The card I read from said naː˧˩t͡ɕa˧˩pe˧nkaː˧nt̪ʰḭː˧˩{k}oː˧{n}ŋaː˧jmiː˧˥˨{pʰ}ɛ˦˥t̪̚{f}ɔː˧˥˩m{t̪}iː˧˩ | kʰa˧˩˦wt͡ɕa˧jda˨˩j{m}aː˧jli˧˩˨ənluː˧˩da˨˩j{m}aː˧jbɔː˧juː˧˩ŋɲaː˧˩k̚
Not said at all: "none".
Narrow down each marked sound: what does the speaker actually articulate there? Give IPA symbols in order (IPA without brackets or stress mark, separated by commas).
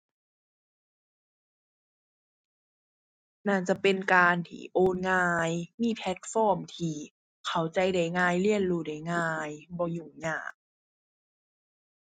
ʔ, n, pʰ, f, t̪ʰ, ŋ, ŋ